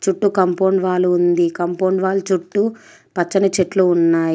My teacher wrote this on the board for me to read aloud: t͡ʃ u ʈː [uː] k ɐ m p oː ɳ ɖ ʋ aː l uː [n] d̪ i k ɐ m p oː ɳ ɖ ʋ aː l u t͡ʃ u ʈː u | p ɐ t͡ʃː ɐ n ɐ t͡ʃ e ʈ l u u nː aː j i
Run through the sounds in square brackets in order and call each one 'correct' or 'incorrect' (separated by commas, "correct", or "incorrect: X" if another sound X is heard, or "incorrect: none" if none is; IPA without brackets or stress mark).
incorrect: u, correct